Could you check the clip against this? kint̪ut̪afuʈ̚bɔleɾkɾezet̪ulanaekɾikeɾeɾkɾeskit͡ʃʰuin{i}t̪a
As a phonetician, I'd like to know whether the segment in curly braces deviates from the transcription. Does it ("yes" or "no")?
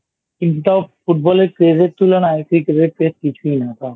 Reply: yes